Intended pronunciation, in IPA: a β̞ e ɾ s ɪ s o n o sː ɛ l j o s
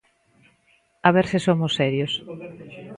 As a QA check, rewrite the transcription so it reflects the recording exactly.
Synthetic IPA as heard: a β̞ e ɾ s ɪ s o m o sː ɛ ɾ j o s